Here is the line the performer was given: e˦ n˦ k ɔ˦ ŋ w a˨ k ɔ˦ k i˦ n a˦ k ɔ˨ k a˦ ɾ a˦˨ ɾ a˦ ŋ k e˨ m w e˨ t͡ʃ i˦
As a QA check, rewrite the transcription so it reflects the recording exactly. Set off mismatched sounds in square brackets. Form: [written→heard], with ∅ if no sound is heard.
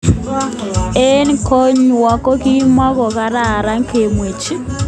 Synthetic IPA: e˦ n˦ k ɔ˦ [ŋ→ɲ] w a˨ k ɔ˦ k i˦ [n→m] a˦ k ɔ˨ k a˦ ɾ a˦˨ ɾ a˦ ŋ k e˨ m w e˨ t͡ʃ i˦